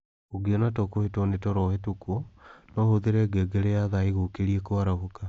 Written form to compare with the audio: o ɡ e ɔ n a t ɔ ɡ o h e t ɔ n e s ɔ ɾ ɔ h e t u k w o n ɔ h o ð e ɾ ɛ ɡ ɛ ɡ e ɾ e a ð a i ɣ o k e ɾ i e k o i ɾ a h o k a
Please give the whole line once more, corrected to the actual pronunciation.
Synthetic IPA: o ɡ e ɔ n a t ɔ k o h e t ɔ n e t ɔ ɾ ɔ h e t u k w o n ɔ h o ð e ɾ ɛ ɡ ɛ ɡ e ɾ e a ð a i ɣ o k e ɾ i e k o a ɾ a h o k a